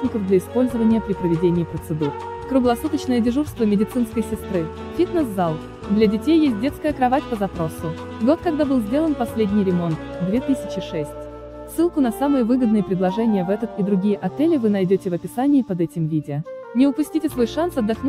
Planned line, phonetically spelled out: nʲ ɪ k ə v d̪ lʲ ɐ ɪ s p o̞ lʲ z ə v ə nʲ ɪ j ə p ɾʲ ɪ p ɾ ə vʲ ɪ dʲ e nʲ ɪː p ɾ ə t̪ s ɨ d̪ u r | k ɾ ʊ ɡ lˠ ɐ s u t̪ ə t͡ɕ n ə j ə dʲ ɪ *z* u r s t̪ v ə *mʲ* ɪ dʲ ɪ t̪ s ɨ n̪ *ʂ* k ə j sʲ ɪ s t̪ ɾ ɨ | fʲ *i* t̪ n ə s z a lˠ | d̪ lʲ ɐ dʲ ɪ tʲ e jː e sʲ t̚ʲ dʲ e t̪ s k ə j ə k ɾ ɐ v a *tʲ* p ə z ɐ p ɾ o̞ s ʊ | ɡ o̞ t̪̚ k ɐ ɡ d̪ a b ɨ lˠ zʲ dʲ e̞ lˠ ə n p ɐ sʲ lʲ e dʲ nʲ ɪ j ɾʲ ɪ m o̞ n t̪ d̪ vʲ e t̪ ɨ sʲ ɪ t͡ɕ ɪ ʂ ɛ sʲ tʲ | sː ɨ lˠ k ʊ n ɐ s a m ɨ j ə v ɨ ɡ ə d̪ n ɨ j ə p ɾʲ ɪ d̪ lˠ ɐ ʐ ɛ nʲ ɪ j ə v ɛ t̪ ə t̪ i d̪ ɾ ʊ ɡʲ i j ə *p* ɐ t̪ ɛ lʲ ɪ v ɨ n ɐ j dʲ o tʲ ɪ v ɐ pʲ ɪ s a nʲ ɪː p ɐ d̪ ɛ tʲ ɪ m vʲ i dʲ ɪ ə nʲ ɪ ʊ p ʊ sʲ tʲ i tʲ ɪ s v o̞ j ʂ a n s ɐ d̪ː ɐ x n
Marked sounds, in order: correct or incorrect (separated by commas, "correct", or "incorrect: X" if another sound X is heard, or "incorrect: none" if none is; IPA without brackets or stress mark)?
incorrect: ʐ, correct, incorrect: s, correct, correct, incorrect: ʔ